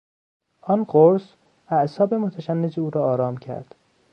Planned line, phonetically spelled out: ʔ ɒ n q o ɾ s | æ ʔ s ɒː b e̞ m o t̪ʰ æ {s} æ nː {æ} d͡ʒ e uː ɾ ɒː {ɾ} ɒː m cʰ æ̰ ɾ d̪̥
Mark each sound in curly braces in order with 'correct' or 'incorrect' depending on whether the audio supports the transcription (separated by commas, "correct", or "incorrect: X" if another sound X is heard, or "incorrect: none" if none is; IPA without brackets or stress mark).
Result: incorrect: ʃ, incorrect: e, correct